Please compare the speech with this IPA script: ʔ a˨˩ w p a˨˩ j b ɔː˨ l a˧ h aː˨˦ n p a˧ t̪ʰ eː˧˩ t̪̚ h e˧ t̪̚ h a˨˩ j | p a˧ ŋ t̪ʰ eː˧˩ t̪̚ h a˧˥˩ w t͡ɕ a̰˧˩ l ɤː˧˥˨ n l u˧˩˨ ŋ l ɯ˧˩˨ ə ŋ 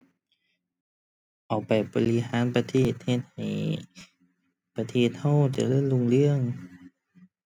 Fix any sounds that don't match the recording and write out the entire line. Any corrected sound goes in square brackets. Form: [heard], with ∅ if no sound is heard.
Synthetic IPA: ʔ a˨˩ w p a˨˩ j b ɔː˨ l [i˧] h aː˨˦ n p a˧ t̪ʰ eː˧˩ t̪̚ h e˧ t̪̚ h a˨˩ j | p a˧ [∅] t̪ʰ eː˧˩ t̪̚ h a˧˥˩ w t͡ɕ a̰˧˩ l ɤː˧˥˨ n l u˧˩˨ ŋ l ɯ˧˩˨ ə ŋ